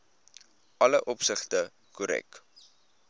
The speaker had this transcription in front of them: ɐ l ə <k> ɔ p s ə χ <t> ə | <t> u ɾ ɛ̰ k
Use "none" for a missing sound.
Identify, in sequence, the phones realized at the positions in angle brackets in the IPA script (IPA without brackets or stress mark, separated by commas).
ʔ, t, k